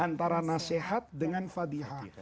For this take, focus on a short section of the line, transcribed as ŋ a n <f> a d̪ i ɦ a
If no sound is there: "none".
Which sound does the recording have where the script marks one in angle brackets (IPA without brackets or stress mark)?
f